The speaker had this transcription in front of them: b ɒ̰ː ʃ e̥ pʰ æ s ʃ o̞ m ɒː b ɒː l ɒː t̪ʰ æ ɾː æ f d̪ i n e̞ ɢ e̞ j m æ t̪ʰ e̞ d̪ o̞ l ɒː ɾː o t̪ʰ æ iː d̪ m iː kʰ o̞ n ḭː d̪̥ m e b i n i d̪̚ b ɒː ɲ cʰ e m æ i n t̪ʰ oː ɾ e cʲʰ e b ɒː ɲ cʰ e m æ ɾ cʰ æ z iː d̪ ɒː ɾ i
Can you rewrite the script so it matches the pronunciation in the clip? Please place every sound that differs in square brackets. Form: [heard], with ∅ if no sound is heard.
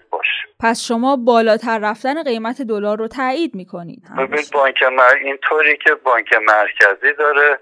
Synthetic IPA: b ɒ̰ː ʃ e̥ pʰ æ s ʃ o̞ m ɒː b ɒː l ɒː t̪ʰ æ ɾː æ f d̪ [æ] n e̞ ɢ e̞ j m æ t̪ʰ e̞ d̪ o̞ l ɒː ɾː o t̪ʰ æ iː d̪ m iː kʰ o̞ n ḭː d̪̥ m e b i n i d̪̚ b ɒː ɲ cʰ e m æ i n t̪ʰ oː ɾ [i] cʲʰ e b ɒː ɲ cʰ e m æ ɾ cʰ æ z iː d̪ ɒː ɾ [e]